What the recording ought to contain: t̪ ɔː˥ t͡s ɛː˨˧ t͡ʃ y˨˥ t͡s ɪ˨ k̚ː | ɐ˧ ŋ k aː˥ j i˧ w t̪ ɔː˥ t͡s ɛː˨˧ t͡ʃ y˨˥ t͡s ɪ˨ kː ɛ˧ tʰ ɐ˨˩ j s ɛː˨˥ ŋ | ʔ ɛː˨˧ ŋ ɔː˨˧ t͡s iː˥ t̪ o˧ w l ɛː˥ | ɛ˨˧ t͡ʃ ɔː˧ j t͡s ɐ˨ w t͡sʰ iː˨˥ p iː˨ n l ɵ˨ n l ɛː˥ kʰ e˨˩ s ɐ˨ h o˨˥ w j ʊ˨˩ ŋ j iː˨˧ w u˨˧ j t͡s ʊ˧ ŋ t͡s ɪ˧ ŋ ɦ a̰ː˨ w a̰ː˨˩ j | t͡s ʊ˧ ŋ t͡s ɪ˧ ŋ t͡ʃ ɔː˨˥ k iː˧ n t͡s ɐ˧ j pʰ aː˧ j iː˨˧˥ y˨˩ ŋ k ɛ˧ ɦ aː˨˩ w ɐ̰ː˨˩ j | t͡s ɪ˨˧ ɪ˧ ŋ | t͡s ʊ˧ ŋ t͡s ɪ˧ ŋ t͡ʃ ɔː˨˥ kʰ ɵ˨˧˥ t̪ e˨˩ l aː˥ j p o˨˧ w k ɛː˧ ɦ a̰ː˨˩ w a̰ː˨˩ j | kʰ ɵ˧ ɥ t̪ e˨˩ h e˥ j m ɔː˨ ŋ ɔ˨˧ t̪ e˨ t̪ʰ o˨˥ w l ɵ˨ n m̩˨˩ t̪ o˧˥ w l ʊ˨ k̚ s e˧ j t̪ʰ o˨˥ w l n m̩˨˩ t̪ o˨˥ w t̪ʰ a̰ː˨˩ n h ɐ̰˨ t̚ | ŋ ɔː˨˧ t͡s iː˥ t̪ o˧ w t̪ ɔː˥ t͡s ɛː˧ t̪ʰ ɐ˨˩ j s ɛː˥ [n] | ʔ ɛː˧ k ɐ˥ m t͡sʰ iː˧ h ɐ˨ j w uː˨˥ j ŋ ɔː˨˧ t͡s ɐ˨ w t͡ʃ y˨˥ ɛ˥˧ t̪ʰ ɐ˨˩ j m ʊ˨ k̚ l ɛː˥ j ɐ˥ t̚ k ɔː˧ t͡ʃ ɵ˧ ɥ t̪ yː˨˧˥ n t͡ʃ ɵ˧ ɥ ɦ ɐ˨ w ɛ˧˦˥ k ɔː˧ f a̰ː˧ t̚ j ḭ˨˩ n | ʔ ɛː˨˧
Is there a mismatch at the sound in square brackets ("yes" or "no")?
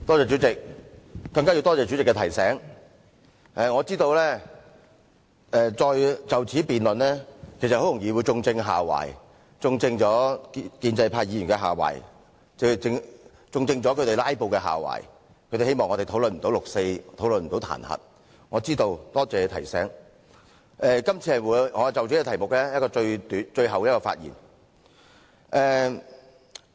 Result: yes